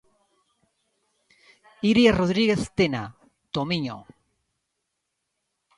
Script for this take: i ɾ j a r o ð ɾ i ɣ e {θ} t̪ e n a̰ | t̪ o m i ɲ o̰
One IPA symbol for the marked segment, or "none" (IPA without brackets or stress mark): θ